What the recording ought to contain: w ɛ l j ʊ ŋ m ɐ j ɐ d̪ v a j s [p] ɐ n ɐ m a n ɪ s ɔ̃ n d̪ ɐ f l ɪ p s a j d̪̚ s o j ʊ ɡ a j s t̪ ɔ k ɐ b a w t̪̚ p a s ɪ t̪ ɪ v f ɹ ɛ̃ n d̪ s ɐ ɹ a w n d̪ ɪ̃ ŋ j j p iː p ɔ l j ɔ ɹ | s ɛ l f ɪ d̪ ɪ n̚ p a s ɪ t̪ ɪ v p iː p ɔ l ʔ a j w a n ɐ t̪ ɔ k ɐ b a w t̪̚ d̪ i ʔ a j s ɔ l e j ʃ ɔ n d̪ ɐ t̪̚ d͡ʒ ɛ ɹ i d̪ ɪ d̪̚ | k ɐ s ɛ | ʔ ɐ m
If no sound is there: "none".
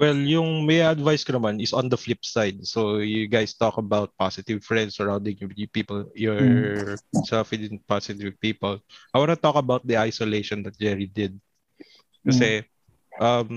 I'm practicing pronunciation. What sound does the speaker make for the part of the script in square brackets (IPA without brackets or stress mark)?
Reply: k